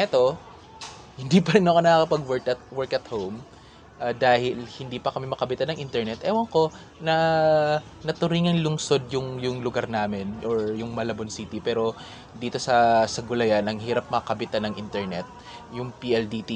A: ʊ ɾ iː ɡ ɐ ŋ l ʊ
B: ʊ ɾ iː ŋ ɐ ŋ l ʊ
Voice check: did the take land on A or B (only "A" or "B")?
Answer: B